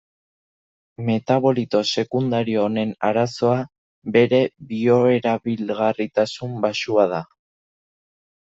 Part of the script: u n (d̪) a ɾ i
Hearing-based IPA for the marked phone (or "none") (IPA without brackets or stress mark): d̪